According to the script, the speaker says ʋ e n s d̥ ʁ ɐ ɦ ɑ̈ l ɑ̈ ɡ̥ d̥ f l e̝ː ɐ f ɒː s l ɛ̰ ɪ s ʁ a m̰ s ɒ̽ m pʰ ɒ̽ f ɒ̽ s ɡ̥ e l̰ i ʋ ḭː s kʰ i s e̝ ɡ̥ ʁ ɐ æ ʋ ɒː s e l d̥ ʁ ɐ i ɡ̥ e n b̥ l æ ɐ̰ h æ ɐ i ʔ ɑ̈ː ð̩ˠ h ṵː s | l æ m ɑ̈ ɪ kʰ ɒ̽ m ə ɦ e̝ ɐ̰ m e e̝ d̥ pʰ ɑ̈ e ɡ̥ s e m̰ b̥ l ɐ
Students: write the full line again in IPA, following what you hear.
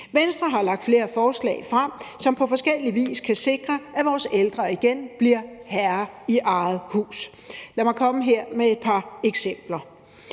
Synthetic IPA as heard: ʋ e n s d̥ ʁ ɐ ɦ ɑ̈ l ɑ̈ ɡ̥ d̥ f l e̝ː ɐ f ɒː s l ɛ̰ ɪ f ʁ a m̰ s ɒ̽ m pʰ ɒ̽ f ɒ̽ s ɡ̥ e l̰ i ʋ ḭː s kʰ æ s e̝ ɡ̥ ʁ ɐ æ ʋ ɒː s e l d̥ ʁ ɐ i ɡ̥ e n b̥ l i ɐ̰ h æ ɐ i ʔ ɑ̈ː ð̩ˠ h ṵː s | l æ m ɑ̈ ɪ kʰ ɒ̽ m ə ɦ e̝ ɐ̰ m e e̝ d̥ pʰ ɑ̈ e ɡ̥ s e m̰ b̥ l ɐ